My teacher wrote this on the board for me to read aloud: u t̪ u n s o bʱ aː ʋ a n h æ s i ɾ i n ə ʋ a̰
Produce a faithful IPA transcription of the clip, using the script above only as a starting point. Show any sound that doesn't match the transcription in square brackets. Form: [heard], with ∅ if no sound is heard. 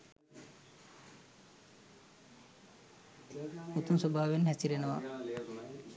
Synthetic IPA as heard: u t̪ u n s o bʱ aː ʋ [e] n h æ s i ɾ [e] n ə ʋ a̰

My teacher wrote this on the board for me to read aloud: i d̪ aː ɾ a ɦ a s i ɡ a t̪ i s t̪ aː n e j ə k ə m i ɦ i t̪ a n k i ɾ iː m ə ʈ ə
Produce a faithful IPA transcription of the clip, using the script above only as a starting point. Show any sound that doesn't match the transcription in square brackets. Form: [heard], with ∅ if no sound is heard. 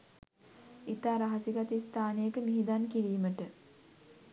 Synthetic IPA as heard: i [t̪] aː ɾ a ɦ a s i ɡ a t̪ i s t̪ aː n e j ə k ə m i ɦ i [d̪] a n k i ɾ iː m ə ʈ ə

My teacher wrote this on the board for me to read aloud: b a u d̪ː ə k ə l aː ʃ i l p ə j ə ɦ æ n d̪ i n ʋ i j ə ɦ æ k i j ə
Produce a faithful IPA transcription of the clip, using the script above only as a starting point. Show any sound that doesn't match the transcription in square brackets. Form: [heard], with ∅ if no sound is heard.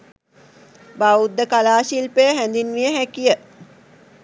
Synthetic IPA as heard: b a u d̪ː ə k [a] l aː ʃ i l p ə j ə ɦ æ n d̪ i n ʋ i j ə ɦ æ k i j ə

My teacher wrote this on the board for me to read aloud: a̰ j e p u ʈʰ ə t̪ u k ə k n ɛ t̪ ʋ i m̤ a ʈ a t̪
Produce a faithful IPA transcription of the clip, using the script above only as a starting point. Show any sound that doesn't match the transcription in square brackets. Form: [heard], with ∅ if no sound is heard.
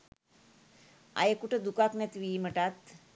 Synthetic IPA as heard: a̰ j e [k] u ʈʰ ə [d̪] u k [a] k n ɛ t̪ ʋ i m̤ [ə] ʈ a t̪

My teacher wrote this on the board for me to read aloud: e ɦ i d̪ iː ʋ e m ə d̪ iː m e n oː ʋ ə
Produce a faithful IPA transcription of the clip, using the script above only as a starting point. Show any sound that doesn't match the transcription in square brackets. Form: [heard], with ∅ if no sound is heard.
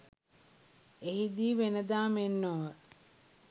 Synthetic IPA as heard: e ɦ i d̪ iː ʋ e [n] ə d̪ [aː] m e [nː] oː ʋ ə

